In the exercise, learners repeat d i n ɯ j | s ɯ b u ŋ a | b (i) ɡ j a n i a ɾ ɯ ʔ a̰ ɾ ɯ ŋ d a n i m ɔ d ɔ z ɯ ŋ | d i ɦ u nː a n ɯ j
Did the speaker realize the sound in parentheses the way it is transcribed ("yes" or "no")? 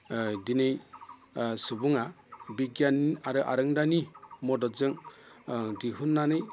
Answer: yes